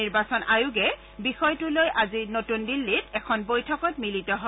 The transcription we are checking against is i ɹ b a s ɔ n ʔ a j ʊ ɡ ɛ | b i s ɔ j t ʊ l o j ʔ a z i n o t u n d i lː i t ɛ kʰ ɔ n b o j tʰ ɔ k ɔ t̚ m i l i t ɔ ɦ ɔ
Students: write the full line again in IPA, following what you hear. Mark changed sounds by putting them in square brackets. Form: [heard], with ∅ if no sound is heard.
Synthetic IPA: i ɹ b a s ɔ n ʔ a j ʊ ɡ ɛ | b i [x] ɔ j t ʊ l o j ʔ a z i n o t u n d i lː i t ɛ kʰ ɔ n b o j tʰ ɔ k ɔ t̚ m i l i t ɔ ɦ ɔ